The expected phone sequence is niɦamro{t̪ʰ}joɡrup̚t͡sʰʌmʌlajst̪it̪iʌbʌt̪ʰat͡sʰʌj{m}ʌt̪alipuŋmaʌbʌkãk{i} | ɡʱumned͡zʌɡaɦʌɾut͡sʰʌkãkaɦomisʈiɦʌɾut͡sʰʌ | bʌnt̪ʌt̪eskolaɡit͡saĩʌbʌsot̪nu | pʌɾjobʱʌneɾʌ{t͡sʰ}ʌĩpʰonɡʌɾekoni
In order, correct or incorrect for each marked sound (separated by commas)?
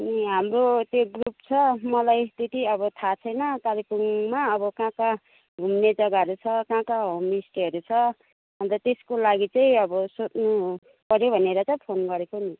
incorrect, incorrect, incorrect, incorrect